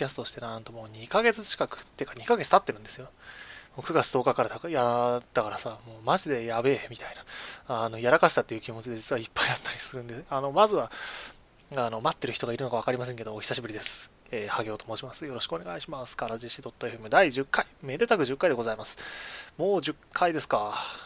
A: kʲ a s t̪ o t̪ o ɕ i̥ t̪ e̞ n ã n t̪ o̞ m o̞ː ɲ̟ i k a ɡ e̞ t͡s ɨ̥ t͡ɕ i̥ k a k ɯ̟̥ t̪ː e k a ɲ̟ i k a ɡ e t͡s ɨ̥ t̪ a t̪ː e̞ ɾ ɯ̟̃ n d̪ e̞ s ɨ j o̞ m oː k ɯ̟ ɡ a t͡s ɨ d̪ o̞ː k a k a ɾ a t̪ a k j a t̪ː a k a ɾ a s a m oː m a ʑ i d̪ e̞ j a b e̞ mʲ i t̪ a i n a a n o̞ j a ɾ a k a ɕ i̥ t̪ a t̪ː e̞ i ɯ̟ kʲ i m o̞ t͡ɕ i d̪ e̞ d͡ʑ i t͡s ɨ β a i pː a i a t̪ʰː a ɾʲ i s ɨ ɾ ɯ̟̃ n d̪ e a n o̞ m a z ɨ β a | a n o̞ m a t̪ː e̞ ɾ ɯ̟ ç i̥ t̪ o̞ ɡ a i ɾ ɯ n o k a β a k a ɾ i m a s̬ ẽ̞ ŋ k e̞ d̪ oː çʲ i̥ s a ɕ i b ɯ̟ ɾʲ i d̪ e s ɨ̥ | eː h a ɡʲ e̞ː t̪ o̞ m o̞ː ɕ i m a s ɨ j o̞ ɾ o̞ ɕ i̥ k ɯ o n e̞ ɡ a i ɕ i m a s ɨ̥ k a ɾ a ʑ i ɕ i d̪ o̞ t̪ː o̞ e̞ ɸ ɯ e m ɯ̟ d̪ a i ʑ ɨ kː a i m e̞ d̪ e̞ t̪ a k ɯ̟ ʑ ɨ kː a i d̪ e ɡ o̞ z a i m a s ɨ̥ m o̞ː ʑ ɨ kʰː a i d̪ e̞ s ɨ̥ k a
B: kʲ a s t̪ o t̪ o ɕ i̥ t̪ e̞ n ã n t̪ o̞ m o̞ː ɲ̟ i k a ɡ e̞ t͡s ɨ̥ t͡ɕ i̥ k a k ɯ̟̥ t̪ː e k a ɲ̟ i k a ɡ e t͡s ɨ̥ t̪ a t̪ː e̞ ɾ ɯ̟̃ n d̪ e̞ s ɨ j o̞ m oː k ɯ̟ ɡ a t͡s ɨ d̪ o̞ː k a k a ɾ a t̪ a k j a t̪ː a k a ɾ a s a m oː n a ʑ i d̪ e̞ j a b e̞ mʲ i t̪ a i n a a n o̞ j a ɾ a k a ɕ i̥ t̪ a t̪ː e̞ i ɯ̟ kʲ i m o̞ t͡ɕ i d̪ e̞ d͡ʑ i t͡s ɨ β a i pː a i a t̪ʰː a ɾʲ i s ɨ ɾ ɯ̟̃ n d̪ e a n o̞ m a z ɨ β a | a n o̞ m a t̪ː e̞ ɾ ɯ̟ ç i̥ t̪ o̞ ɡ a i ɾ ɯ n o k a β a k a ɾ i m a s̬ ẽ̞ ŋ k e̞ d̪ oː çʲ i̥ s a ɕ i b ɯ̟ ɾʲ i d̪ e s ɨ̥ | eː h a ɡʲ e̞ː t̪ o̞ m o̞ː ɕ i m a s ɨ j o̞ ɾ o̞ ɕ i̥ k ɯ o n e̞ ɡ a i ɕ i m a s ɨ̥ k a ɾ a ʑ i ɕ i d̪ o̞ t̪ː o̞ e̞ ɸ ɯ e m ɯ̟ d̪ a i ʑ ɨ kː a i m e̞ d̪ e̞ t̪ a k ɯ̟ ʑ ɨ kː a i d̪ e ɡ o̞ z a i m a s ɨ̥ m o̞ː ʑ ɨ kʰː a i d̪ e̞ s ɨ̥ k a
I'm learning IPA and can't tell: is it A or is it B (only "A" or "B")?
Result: A